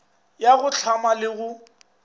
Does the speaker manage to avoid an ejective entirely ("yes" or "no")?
yes